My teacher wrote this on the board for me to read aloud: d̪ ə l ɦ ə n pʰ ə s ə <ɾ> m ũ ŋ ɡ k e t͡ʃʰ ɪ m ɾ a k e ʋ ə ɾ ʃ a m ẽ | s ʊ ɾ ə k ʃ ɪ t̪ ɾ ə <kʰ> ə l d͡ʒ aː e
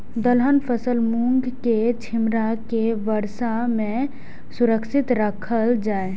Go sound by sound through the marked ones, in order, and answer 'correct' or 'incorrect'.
incorrect, correct

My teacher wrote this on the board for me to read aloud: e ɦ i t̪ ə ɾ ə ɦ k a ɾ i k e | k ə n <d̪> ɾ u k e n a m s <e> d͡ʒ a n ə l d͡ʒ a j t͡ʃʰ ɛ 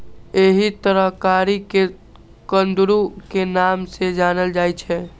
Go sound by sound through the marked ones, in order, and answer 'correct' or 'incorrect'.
correct, correct

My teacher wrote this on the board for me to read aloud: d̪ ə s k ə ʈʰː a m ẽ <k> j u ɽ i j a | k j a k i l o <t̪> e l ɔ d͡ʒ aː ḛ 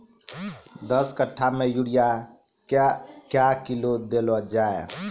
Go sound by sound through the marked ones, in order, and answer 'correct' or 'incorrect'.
incorrect, incorrect

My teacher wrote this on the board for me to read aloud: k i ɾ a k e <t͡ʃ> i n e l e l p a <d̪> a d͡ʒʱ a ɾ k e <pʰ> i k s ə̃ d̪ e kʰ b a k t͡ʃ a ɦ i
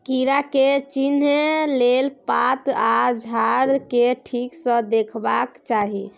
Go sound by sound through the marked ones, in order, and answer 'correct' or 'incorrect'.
correct, incorrect, incorrect

